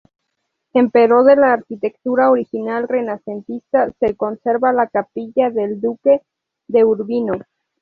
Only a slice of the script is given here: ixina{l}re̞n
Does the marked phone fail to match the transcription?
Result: no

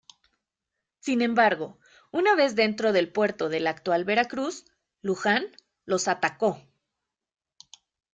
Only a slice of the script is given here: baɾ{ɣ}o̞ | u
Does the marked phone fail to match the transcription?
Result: no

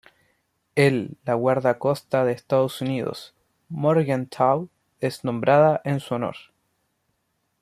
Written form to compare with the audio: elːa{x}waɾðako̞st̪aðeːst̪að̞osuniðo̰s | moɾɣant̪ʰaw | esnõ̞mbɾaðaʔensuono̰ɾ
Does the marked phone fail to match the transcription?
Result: yes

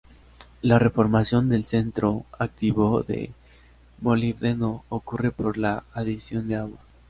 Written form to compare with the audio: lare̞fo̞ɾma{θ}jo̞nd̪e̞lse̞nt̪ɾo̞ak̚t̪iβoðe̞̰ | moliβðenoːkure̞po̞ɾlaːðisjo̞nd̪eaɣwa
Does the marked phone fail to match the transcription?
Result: yes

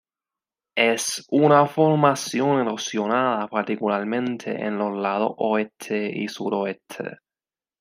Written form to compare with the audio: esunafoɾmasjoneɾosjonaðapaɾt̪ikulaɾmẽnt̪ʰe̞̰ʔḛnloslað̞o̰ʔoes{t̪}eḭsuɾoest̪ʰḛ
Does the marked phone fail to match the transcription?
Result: yes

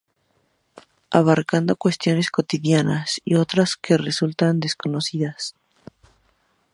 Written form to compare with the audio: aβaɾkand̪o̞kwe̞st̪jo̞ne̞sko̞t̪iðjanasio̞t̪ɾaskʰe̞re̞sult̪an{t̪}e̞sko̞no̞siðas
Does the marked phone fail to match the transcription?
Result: yes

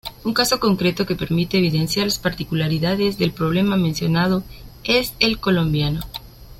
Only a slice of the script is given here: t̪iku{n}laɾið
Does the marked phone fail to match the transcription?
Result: yes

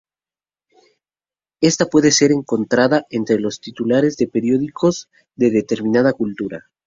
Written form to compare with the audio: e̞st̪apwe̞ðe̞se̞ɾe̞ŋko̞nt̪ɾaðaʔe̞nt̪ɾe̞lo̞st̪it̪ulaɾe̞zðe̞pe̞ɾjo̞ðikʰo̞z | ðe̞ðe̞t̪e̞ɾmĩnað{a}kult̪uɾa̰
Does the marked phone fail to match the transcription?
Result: no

